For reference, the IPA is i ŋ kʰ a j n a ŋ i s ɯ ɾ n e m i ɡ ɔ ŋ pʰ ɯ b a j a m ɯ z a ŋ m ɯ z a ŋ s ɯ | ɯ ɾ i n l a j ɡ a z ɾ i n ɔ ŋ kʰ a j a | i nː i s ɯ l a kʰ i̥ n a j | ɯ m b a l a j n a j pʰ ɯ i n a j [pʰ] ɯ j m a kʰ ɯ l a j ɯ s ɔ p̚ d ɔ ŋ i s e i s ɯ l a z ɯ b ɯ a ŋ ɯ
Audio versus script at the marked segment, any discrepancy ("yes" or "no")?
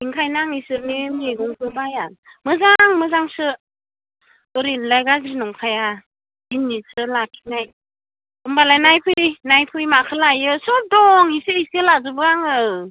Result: no